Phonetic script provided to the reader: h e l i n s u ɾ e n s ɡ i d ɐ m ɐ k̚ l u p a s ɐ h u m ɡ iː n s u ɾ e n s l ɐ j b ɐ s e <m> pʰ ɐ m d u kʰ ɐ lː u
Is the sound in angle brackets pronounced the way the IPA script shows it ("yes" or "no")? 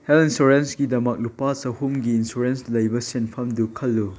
no